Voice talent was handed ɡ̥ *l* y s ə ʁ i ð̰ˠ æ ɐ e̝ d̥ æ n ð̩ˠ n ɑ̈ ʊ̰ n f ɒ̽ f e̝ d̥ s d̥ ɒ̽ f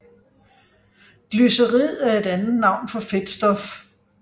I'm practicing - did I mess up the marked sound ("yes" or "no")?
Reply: no